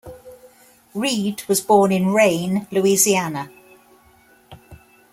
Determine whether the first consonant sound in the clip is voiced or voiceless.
voiced